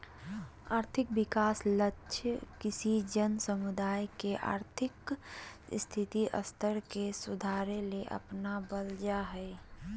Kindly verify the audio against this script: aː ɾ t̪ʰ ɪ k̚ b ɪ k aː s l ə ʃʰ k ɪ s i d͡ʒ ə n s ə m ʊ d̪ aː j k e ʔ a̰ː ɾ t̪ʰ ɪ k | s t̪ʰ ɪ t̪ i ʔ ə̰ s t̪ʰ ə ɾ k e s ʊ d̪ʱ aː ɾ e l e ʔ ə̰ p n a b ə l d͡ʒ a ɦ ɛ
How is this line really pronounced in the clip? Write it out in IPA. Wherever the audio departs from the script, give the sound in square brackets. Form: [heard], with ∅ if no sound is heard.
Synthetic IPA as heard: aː ɾ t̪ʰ ɪ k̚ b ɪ k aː s l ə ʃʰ k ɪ s i d͡ʒ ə n s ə m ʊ d̪ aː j k e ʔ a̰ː ɾ t̪ʰ ɪ k | s t̪ʰ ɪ t̪ i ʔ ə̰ s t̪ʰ ə ɾ k e s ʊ d̪ʱ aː ɾ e l e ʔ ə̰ p n a b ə l d͡ʒ a ɦ ɛ